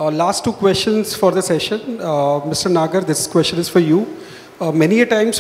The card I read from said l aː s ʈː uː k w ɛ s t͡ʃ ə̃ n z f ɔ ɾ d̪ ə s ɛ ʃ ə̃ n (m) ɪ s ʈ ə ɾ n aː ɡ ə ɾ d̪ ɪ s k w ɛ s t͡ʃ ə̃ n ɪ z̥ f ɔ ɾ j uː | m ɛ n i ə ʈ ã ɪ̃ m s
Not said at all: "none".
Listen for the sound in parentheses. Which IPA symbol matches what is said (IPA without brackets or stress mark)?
m